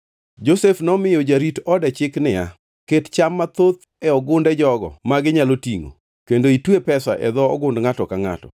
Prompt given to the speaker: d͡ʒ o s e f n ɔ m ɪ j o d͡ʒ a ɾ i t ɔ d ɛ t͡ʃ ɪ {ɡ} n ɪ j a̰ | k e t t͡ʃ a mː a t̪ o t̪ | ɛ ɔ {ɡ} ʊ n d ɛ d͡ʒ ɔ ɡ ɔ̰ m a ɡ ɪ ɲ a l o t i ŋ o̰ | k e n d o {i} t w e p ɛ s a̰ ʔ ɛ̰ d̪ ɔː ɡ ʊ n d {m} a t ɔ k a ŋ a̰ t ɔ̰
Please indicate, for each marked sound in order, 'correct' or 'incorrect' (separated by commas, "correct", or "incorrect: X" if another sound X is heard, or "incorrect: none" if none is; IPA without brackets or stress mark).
incorrect: k, correct, correct, incorrect: ŋ